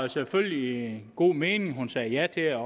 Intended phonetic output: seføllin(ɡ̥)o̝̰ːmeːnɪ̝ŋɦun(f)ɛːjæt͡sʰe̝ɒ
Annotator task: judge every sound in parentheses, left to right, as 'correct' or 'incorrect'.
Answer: correct, incorrect

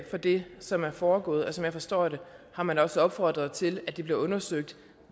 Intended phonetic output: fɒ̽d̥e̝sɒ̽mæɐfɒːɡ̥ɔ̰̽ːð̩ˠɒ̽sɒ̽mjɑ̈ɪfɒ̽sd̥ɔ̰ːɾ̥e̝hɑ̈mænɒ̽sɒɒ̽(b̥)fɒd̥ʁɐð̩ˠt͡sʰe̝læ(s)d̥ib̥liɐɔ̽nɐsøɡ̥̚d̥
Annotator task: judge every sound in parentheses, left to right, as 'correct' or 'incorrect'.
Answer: correct, incorrect

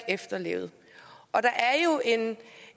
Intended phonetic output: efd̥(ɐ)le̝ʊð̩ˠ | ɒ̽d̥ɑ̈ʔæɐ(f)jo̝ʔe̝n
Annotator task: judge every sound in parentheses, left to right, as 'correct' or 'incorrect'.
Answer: correct, incorrect

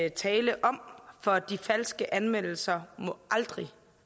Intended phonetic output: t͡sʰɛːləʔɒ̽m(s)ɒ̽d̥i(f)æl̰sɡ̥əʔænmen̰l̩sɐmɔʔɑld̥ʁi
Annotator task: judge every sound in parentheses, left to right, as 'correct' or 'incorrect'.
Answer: incorrect, correct

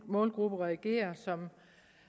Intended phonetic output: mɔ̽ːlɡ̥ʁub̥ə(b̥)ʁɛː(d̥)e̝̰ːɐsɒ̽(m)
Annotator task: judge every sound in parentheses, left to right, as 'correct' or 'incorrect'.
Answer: incorrect, incorrect, correct

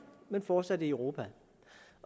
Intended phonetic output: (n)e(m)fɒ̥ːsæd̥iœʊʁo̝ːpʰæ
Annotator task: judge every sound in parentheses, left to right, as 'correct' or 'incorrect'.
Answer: incorrect, incorrect

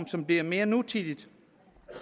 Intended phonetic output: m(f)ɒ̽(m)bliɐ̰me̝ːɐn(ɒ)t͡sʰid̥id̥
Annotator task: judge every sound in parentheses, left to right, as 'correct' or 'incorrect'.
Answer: incorrect, correct, incorrect

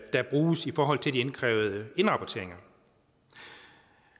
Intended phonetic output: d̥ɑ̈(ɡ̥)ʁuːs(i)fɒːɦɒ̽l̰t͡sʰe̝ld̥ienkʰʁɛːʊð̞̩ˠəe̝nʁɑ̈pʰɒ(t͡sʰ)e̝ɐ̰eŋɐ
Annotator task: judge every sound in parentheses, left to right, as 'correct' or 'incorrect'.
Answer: incorrect, correct, correct

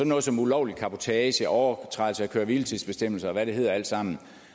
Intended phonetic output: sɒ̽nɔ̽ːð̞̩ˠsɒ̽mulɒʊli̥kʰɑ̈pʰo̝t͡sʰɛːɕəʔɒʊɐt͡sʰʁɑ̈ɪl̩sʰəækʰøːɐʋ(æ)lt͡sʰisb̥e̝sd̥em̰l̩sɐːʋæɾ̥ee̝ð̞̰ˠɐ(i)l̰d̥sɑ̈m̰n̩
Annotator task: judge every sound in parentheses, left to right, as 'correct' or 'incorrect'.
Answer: incorrect, incorrect

